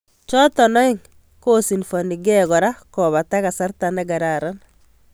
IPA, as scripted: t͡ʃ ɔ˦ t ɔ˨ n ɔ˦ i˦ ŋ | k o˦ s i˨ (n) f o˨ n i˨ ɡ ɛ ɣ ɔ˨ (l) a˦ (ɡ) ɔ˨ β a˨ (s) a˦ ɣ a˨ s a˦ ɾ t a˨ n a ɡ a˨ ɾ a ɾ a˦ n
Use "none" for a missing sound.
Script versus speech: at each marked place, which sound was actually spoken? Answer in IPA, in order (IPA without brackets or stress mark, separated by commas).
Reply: n, ɾ, k, t